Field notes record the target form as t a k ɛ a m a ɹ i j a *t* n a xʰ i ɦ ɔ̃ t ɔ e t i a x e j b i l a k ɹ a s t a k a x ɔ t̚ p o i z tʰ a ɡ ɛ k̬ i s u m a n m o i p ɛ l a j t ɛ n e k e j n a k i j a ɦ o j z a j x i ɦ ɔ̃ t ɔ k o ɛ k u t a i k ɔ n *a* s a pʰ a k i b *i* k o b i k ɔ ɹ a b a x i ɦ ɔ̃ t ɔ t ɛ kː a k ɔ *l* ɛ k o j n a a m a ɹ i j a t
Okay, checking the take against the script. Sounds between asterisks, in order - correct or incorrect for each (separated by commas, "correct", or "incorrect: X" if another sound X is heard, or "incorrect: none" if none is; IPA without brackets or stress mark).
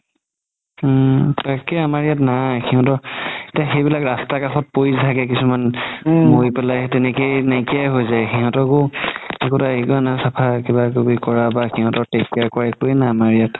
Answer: correct, correct, incorrect: a, incorrect: ɹ